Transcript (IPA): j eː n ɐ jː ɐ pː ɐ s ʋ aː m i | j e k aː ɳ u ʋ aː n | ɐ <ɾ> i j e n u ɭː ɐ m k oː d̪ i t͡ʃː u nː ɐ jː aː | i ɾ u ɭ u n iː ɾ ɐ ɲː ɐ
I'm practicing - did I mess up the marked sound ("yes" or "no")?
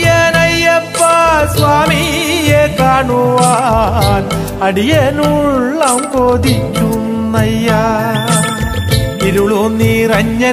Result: yes